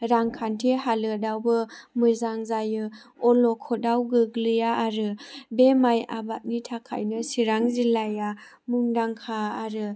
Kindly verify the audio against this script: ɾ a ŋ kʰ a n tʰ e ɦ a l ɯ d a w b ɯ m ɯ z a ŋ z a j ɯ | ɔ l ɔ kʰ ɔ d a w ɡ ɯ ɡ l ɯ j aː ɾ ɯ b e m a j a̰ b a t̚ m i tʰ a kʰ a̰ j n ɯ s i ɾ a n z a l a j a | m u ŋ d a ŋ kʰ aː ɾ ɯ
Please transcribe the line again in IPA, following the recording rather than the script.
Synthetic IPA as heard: ɾ a ŋ kʰ a n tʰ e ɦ a l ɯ d a w b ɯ m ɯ z a ŋ z a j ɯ | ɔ l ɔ kʰ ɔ d a w ɡ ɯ ɡ l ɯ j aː ɾ ɯ b e m a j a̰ b a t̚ n i tʰ a kʰ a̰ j n ɯ s i ɾ a ŋ z i l a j a | m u ŋ d a ŋ kʰ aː ɾ ɯ